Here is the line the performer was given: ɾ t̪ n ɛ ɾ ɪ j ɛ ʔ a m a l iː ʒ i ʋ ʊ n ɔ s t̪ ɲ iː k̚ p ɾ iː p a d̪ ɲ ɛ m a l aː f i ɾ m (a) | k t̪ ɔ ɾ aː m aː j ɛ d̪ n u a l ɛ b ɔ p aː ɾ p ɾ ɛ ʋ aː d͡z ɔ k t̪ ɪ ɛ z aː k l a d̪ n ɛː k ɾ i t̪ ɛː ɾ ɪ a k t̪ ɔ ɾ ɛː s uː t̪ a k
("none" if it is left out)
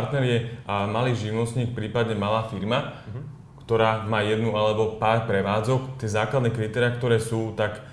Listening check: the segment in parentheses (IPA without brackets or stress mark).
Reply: a